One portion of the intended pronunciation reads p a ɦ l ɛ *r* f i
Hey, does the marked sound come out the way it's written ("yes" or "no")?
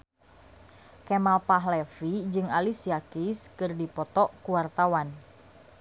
no